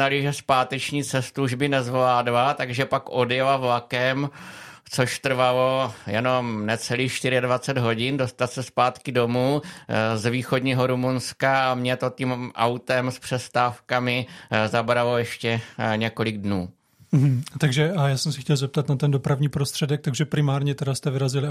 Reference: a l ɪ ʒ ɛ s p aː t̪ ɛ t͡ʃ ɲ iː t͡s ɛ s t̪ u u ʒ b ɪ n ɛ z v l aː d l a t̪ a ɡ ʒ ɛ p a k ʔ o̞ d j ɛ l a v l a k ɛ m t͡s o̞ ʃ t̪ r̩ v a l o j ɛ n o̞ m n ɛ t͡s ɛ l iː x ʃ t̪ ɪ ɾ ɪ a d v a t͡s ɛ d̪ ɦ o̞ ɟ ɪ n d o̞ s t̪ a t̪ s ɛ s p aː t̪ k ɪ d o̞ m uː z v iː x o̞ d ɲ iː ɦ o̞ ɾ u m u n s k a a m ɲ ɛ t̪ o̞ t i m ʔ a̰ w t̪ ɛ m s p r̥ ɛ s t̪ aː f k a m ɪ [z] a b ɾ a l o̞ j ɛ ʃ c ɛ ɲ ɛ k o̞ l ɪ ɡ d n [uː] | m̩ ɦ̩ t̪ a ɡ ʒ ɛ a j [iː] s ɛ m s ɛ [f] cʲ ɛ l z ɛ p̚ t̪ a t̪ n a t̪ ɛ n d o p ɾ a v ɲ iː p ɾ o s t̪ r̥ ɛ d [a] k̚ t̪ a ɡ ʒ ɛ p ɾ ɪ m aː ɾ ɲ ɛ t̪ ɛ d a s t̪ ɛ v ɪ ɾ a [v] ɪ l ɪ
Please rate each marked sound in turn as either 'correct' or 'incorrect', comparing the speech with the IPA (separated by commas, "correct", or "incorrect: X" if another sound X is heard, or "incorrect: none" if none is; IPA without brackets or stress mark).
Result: correct, correct, incorrect: aː, incorrect: x, incorrect: ɛ, incorrect: z